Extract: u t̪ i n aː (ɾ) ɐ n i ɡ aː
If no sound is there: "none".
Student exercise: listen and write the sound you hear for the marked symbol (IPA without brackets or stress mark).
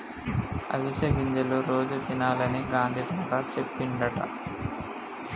l